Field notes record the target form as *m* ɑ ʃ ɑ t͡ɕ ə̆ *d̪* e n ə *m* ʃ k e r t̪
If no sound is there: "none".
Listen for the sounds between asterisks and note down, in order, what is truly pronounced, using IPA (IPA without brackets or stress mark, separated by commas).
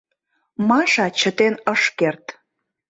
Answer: m, t̪, none